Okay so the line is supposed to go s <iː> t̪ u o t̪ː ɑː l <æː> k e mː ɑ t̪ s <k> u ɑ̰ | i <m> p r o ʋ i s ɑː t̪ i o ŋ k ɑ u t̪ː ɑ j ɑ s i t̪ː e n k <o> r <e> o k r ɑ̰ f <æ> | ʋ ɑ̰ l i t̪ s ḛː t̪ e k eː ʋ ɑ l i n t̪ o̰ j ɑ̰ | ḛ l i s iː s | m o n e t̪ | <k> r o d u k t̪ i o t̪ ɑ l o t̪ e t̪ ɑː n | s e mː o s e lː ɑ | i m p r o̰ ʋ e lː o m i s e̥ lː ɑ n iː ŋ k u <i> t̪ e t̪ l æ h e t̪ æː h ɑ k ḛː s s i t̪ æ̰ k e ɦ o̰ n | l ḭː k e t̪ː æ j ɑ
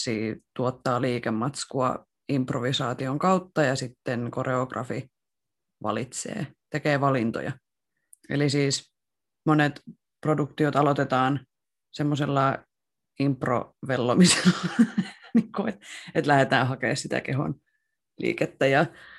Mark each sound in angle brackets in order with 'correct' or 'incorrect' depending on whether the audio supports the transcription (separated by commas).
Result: correct, incorrect, correct, correct, correct, correct, incorrect, incorrect, incorrect